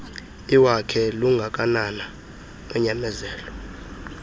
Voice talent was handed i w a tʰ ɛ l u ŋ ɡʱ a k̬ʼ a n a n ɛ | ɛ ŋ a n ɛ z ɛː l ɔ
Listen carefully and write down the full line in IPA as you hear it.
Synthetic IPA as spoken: i w a kʰ ɛ l u ŋ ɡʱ a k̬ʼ a n a n a | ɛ ɲ a m ɛ z ɛː l ɔ